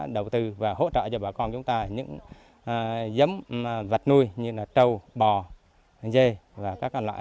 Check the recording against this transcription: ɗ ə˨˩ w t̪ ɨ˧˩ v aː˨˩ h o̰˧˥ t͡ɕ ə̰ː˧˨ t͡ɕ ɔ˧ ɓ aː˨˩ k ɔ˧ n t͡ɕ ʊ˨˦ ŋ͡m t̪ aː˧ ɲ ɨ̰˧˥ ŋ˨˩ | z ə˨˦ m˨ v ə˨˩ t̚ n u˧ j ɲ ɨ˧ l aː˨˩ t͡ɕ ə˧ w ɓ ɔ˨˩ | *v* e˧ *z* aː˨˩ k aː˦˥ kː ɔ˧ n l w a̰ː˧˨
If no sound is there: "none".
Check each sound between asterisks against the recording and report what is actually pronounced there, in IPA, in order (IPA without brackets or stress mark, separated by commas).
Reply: z, v